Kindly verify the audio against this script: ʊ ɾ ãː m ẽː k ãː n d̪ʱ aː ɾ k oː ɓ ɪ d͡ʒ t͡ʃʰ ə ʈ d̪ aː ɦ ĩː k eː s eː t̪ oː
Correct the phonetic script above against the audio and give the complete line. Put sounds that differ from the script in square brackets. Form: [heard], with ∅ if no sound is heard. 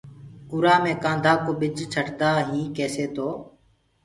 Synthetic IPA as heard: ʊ ɾ [aː] m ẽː k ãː n d̪ʱ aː [∅] k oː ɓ ɪ d͡ʒ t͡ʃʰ ə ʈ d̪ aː ɦ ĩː k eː s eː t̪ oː